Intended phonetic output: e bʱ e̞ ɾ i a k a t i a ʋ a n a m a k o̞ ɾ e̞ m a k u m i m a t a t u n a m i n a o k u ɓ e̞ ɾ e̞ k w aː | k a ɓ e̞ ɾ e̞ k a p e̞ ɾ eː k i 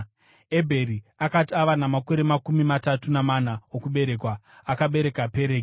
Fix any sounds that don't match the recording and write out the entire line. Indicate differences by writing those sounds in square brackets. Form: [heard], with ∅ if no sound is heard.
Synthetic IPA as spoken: e bʱ e̞ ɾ i a k a t i a ʋ a n a m a k o̞ ɾ e̞ m a k u m i m a t a t u n a m [a] n a o k u ɓ e̞ ɾ e̞ k w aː | k a ɓ e̞ ɾ e̞ k a p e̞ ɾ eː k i